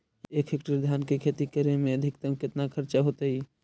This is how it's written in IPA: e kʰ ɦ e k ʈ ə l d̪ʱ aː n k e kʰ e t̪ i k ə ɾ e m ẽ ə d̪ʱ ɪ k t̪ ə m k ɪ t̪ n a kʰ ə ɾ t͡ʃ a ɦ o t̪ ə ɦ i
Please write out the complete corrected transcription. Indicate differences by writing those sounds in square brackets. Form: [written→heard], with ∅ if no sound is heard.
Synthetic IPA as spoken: e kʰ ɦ e k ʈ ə [l→ɾ] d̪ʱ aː n k e kʰ e t̪ i k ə ɾ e m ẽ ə d̪ʱ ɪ k t̪ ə m k ɪ t̪ n a kʰ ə ɾ t͡ʃ a ɦ o t̪ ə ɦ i